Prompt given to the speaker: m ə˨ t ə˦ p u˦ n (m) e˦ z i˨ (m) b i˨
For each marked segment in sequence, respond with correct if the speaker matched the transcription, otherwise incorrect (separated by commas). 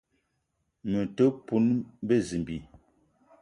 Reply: incorrect, correct